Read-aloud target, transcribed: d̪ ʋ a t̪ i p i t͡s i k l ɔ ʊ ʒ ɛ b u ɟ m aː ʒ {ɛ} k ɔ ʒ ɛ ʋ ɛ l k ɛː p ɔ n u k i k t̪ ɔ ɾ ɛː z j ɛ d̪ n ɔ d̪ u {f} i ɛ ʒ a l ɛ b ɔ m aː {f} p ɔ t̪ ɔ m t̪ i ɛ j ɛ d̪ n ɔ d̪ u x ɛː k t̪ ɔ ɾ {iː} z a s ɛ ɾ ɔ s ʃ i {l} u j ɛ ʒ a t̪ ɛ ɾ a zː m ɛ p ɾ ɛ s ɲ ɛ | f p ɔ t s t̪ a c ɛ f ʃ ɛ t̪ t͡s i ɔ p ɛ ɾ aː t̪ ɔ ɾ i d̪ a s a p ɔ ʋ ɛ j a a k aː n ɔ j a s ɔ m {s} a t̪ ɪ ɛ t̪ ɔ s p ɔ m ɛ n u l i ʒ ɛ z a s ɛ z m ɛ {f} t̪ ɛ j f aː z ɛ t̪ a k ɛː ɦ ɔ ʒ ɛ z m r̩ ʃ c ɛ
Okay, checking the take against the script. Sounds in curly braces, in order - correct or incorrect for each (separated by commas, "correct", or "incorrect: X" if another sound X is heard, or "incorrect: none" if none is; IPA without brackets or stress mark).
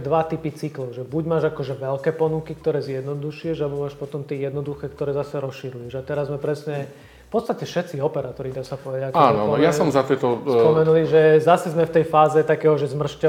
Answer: incorrect: a, incorrect: ʃ, incorrect: ʃ, incorrect: ɛː, incorrect: ɾ, incorrect: z, correct